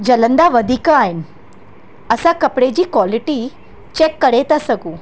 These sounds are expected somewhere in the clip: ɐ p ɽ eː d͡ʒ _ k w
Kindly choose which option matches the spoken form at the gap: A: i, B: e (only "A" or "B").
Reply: A